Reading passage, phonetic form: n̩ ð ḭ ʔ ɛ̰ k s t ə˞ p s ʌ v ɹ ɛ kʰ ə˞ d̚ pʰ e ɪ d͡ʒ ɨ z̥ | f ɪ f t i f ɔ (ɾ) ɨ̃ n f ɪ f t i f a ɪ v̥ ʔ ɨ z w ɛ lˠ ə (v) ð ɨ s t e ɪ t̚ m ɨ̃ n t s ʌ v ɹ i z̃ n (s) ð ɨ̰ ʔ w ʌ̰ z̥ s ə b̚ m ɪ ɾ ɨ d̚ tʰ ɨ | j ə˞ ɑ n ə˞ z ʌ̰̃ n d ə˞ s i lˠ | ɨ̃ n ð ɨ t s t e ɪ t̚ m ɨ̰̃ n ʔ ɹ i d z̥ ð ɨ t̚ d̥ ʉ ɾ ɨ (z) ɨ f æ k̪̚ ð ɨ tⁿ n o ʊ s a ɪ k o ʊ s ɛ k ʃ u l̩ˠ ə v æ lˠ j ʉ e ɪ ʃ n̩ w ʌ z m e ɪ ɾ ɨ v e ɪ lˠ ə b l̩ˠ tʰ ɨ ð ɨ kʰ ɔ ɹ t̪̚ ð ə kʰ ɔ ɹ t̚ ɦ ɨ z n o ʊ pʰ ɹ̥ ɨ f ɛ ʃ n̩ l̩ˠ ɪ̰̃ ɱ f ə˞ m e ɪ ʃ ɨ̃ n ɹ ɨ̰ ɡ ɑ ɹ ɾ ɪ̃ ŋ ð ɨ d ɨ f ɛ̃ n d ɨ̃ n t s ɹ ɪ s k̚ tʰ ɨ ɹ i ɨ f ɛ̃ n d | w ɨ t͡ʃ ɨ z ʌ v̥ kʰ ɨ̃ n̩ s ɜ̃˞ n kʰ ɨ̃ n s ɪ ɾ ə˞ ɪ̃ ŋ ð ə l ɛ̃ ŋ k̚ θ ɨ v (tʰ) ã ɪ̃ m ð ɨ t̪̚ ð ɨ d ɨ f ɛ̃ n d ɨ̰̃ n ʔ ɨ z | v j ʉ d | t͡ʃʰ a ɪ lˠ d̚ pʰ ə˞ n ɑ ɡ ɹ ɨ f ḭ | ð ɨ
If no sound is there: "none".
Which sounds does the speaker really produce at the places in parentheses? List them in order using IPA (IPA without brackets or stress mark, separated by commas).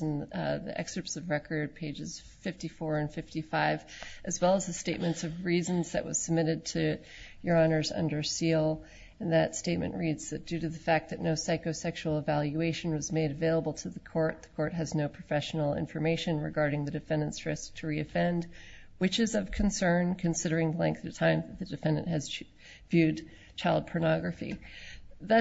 ɹ, z, z, ð, tʰ